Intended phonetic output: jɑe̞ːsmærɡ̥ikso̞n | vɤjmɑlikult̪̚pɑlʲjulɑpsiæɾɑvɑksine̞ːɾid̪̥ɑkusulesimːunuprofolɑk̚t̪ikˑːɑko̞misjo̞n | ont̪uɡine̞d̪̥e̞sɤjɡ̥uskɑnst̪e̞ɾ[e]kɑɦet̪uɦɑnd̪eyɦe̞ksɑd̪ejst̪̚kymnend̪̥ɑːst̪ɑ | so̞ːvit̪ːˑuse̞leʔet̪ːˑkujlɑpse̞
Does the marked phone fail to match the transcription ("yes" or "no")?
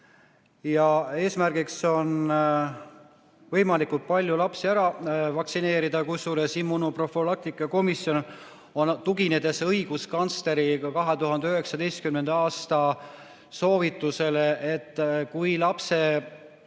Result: yes